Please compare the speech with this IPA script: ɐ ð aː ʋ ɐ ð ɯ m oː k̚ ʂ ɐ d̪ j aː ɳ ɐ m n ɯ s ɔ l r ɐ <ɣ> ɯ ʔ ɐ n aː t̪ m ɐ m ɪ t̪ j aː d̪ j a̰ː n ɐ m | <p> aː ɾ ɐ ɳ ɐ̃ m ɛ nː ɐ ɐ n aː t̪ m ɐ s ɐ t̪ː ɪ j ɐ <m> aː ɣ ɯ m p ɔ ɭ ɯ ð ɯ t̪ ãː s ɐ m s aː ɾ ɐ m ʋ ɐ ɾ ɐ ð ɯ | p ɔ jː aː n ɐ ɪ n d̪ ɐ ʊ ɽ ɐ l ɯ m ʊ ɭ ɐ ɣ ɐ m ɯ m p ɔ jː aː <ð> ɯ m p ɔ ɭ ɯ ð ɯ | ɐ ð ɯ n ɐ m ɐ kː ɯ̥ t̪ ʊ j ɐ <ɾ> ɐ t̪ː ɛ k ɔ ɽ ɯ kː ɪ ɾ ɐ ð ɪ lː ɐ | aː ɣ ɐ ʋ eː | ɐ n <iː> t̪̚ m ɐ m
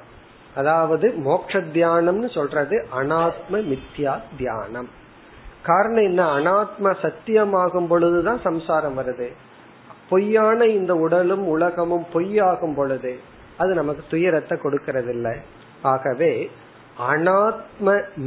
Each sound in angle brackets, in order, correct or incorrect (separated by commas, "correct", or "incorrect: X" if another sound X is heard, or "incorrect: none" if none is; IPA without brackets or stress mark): incorrect: ð, incorrect: k, correct, incorrect: ɣ, correct, incorrect: aː